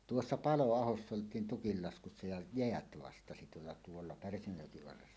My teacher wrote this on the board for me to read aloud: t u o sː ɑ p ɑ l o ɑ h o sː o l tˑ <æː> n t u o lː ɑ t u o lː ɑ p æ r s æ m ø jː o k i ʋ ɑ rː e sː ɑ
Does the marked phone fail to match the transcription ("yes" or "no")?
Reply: yes